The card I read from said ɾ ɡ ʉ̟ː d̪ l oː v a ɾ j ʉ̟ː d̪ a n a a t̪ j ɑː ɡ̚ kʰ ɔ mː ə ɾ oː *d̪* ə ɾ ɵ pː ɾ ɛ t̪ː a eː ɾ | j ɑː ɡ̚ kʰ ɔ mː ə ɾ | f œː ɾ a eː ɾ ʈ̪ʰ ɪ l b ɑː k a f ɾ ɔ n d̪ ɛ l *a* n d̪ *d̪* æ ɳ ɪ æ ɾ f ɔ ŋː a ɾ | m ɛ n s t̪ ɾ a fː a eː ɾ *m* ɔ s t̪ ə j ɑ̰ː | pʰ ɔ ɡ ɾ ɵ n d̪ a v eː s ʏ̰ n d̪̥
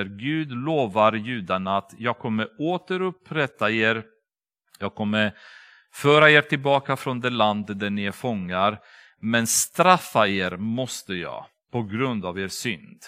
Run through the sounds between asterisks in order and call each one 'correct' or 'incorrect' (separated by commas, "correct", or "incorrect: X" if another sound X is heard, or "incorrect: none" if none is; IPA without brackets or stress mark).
incorrect: t̪, correct, correct, correct